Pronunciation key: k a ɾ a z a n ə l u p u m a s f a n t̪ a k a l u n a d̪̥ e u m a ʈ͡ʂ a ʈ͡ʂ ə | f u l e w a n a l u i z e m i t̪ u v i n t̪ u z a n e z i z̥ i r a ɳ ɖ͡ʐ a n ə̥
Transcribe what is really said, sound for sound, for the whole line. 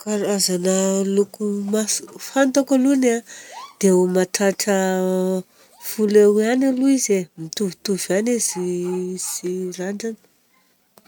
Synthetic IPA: k a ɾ a z a n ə l u k u m a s f a n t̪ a k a l u n a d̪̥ e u m a ʈ͡ʂ a ʈ͡ʂ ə | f u l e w a n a l u i z e m i t̪ u v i t̪ u v a n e z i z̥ i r a ɳ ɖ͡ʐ a n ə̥